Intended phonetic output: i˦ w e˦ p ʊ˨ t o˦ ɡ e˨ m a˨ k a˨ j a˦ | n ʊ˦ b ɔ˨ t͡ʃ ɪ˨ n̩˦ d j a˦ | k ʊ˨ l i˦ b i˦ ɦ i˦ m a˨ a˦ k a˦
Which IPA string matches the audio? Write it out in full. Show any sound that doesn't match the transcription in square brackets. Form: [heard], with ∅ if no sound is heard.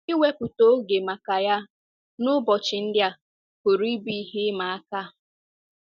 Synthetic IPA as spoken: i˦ w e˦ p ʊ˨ t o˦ ɡ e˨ m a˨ k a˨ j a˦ | n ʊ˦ b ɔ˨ t͡ʃ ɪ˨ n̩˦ d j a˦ | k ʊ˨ [ɾ] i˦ b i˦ ɦ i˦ m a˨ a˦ k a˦

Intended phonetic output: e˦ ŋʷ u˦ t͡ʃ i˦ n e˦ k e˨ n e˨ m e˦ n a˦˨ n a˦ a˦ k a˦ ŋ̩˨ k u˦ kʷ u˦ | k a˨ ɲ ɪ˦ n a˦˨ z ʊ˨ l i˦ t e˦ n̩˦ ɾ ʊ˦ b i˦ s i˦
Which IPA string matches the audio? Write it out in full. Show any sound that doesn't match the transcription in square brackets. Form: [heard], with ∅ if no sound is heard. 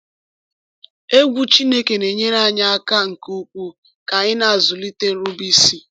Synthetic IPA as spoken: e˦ [ɡʷ] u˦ t͡ʃ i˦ n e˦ k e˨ n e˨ [ɲ] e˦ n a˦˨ [ɲ] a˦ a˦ k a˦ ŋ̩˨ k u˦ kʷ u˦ | k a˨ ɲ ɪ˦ n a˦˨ z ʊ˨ l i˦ t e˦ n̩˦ ɾ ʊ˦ b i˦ s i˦

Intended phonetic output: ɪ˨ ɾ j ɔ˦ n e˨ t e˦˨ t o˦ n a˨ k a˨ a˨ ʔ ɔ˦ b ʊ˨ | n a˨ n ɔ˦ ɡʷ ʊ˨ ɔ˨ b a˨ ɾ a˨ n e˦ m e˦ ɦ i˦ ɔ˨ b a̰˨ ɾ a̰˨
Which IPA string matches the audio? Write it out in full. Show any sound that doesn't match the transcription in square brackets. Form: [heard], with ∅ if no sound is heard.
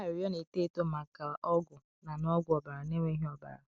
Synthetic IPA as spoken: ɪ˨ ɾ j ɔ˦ n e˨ t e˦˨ t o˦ [m] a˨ k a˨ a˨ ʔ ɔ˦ [ɡ] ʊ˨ | n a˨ n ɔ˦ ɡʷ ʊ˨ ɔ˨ b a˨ ɾ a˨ n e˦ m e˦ ɦ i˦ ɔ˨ b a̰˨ ɾ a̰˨

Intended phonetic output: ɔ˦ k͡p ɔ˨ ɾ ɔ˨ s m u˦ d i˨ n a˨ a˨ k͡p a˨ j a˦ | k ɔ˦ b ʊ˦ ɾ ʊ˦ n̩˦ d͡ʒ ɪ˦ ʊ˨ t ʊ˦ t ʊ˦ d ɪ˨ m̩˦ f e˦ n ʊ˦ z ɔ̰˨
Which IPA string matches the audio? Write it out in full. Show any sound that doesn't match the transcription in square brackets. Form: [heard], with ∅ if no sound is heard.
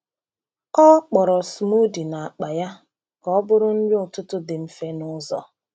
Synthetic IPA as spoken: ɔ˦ k͡p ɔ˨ ɾ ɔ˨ s m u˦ d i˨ n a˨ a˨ k͡p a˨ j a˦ | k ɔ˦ b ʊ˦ ɾ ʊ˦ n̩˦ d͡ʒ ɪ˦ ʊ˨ t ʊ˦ t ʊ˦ d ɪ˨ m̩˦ f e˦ n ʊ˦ z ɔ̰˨

